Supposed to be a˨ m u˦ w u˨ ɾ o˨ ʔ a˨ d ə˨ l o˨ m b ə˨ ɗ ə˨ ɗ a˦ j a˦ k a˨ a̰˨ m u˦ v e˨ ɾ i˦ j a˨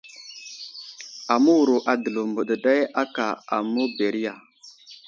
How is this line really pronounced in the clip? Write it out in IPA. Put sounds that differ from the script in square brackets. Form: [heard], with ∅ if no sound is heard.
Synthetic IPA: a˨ m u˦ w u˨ ɾ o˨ ʔ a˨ d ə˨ l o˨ m b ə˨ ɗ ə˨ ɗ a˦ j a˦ k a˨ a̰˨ m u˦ [b] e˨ ɾ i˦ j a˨